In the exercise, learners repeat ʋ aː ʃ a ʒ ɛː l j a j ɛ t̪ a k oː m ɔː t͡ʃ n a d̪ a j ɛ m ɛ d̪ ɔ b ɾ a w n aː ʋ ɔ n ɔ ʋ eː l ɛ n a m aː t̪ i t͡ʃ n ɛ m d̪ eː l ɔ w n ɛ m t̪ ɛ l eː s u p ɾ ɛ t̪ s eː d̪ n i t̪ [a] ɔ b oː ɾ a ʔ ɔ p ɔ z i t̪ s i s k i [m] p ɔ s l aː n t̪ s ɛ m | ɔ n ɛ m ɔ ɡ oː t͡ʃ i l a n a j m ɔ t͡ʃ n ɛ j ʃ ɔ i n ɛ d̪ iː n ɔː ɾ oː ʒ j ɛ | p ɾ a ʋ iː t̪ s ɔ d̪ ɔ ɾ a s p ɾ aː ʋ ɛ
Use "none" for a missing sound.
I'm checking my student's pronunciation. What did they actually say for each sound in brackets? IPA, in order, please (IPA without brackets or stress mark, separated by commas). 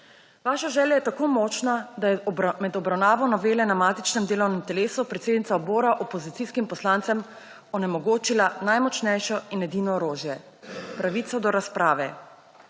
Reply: a, m